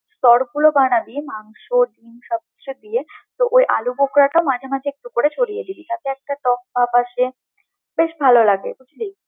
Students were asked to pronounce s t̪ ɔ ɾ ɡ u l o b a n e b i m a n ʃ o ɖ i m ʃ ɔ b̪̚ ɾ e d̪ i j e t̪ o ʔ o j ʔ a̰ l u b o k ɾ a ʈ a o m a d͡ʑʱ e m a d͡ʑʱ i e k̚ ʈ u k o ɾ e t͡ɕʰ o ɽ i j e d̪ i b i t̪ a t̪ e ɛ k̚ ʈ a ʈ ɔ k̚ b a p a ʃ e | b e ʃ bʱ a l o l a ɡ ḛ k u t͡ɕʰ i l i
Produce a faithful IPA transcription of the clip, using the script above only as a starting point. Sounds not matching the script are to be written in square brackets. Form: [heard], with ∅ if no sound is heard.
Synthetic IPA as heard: s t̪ ɔ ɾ ɡ u l o b a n [a] b i m a [ŋ] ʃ o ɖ i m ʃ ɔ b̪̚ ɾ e d̪ i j e t̪ o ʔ o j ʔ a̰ l u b o k ɾ a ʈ a o m a d͡ʑʱ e m a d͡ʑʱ [e] e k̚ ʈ u k o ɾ e t͡ɕʰ o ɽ i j e d̪ i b i t̪ a t̪ e ɛ k̚ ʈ a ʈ ɔ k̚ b a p a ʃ e | b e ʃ bʱ a l o l a ɡ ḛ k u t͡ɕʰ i l i